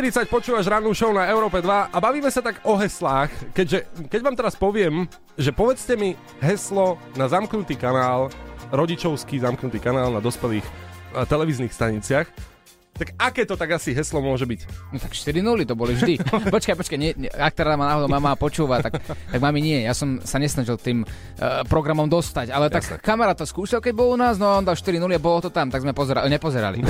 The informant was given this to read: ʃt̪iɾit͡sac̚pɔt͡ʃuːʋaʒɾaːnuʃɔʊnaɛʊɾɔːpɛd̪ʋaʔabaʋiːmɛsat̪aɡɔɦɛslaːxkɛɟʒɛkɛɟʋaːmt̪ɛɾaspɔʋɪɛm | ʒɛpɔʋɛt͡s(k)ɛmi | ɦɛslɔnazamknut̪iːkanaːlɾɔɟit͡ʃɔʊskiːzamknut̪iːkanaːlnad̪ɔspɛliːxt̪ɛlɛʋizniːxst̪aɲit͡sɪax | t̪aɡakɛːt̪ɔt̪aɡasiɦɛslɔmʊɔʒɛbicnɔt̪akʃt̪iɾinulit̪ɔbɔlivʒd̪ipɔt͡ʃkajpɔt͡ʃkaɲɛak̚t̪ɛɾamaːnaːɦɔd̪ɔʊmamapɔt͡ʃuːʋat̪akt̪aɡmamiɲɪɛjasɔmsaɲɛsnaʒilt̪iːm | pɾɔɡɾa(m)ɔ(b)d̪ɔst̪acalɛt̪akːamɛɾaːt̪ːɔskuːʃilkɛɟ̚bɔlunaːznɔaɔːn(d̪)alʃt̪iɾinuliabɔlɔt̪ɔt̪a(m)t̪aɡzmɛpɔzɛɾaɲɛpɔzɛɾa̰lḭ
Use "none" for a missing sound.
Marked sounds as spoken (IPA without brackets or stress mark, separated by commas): c, m, m, d̪, m